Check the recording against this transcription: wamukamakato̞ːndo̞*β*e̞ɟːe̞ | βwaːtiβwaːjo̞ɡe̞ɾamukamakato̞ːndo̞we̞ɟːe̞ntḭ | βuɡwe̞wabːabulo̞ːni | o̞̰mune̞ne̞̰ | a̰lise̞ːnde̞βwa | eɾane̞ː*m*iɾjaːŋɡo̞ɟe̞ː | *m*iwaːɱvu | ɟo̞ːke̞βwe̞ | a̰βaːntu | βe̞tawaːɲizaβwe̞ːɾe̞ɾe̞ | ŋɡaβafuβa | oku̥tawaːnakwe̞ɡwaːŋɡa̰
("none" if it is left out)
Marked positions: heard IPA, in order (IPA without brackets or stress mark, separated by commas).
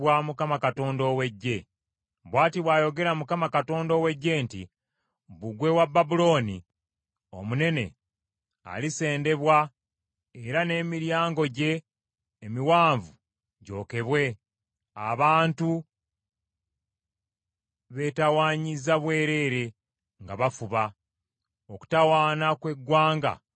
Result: w, m, m